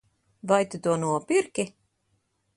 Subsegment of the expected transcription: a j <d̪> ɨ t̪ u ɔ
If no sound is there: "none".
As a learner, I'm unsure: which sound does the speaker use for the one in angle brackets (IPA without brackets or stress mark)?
t̪